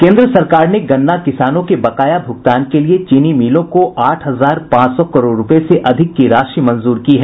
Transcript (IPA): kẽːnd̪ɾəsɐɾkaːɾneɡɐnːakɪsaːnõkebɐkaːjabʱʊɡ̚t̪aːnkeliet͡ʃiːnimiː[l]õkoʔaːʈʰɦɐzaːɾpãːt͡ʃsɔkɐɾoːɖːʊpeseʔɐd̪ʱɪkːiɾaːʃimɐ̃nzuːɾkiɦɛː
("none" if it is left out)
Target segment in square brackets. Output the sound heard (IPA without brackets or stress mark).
l